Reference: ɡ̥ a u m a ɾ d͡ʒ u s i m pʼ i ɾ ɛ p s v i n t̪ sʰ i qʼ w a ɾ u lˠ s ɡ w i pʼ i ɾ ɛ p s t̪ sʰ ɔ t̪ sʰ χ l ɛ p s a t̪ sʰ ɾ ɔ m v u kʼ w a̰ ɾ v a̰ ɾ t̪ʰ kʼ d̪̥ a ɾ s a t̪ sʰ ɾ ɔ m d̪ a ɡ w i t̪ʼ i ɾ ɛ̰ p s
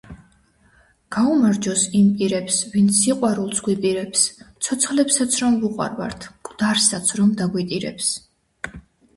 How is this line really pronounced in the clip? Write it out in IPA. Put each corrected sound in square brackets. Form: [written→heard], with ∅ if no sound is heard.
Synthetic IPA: ɡ̥ a u m a ɾ d͡ʒ [u→ɔ] s i m pʼ i ɾ ɛ p s v i n t̪ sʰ i qʼ w a ɾ u lˠ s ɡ w i pʼ i ɾ ɛ p s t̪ sʰ ɔ t̪ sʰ χ l ɛ p s a t̪ sʰ ɾ ɔ m v u [kʼ→qʼ] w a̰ ɾ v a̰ ɾ t̪ʰ kʼ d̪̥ a ɾ s a t̪ sʰ ɾ ɔ m d̪ a ɡ w i t̪ʼ i ɾ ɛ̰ p s